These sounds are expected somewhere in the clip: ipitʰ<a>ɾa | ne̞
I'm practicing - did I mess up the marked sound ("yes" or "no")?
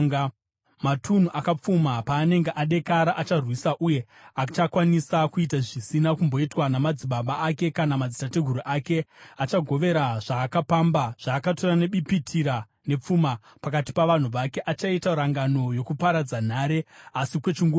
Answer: yes